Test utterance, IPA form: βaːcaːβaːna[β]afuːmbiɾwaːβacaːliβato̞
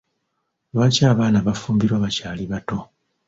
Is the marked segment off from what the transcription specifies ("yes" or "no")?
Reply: no